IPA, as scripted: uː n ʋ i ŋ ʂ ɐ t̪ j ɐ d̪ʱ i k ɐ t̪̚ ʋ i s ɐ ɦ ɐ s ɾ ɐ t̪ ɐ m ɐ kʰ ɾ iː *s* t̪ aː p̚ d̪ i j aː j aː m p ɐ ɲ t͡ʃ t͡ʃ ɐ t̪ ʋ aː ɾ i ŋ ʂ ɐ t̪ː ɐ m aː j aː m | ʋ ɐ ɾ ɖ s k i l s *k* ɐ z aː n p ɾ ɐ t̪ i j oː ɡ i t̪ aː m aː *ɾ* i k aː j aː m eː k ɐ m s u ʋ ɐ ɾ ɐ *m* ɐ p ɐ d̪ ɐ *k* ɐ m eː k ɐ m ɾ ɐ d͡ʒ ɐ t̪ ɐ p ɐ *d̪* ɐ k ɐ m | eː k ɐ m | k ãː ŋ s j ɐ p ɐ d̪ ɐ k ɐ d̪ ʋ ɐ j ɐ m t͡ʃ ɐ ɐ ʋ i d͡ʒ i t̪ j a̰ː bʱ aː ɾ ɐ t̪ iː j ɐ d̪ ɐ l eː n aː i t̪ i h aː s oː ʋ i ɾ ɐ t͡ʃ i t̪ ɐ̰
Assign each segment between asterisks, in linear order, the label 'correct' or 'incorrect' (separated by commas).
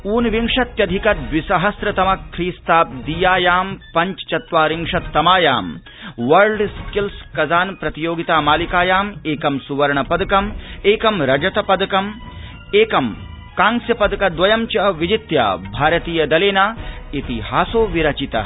correct, correct, incorrect, incorrect, correct, correct